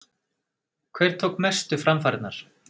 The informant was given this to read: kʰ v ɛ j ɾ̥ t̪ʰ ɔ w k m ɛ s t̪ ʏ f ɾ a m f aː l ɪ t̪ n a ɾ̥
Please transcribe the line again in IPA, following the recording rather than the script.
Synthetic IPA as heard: kʰ v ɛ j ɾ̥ t̪ʰ o w k m ɛ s t̪ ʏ f ɾ a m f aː ɾ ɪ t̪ n a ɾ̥